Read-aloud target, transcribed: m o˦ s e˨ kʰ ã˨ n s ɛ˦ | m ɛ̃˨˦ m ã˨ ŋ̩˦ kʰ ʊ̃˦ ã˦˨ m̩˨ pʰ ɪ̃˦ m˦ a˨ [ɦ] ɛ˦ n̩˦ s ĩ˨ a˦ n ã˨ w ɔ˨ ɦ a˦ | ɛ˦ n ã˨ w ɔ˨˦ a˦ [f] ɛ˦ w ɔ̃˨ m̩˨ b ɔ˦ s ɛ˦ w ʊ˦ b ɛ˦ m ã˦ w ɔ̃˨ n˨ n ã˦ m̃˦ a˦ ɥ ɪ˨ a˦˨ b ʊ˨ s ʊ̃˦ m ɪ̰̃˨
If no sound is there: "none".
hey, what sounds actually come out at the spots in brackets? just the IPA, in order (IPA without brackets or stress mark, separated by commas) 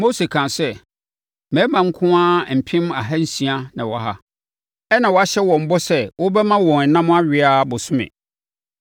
ɦ, ɕ